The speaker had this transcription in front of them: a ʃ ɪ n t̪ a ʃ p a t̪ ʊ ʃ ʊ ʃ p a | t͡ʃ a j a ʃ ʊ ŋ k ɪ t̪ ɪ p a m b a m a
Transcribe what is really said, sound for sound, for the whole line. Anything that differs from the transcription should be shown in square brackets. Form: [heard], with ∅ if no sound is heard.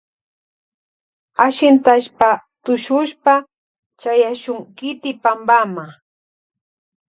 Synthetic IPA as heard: a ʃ ɪ n t̪ a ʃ p a t̪ ʊ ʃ ʊ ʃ p a | t͡ʃ a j a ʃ ʊ ŋ k ɪ t̪ ɪ p a m b a m a